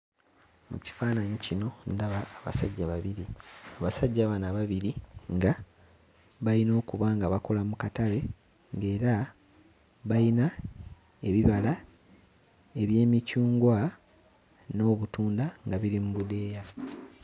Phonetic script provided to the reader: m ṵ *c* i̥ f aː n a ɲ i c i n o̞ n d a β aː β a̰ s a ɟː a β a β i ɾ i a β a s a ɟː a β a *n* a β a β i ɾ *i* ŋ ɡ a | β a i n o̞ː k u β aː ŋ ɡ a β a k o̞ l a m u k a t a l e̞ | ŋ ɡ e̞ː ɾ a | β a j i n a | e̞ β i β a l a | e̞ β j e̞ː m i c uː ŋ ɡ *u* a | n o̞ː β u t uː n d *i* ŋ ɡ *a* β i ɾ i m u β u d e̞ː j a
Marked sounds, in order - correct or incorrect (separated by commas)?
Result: correct, correct, correct, incorrect, incorrect, correct